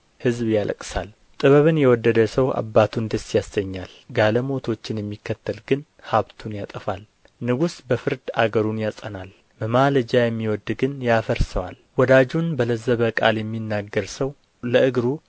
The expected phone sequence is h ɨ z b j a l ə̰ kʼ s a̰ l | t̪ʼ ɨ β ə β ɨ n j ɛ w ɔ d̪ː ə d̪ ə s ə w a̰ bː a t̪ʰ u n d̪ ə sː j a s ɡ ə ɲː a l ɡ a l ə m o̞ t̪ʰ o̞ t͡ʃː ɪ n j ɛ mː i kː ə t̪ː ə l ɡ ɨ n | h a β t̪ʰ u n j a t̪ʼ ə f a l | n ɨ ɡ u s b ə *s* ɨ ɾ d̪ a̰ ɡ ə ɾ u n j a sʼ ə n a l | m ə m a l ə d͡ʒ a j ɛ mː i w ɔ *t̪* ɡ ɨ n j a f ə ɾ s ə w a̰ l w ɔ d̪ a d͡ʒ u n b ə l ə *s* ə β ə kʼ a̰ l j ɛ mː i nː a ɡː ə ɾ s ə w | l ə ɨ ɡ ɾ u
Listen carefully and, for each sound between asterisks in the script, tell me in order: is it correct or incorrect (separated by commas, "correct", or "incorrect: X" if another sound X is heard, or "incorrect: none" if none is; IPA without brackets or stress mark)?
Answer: incorrect: f, incorrect: d̪, incorrect: z